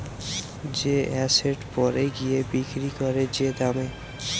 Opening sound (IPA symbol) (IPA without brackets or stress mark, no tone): d͡ʑ